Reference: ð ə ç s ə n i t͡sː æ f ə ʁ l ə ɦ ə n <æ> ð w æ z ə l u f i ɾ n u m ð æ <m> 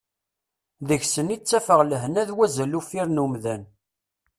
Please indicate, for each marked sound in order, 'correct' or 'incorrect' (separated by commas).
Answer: correct, incorrect